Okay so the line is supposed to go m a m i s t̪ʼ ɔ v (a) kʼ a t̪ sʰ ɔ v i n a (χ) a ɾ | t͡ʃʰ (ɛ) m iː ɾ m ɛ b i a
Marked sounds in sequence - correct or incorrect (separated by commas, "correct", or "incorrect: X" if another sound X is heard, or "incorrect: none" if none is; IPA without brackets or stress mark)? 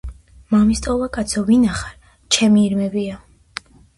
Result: correct, correct, correct